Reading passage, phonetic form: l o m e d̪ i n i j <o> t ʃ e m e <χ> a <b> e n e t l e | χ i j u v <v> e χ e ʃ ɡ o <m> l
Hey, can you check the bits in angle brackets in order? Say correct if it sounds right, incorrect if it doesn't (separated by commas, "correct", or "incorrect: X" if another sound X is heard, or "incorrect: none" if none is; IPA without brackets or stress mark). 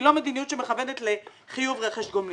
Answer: incorrect: u, correct, incorrect: v, incorrect: ʁ, correct